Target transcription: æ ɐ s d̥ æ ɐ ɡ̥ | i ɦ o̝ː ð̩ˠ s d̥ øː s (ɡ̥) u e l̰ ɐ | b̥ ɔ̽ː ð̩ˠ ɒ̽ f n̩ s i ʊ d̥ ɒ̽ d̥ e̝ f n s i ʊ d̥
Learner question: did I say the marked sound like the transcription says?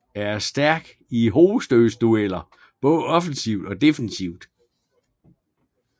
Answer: no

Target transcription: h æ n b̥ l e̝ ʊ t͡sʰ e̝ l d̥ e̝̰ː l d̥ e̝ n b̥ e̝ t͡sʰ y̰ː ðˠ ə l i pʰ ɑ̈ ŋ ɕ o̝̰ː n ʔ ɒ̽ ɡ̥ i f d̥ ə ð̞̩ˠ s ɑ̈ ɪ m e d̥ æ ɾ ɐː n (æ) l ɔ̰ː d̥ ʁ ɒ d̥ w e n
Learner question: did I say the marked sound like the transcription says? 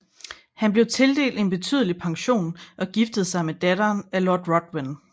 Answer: yes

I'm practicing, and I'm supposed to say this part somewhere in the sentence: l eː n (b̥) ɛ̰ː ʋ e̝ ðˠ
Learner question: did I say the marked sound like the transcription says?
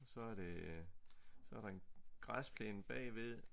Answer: yes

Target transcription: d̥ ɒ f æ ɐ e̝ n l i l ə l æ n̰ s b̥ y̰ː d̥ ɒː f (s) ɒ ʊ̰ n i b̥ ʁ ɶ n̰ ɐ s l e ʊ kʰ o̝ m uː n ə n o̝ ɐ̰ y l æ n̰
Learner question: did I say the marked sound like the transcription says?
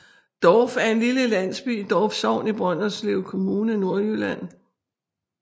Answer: yes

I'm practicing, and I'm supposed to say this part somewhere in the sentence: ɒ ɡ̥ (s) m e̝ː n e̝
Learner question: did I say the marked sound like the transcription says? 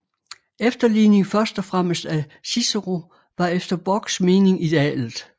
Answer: yes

